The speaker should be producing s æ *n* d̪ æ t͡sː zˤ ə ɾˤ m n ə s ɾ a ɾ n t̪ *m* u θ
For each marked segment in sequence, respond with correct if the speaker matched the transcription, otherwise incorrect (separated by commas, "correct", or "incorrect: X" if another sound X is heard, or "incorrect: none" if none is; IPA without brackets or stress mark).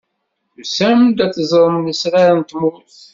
incorrect: m, correct